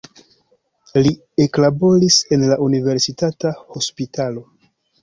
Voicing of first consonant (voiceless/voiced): voiced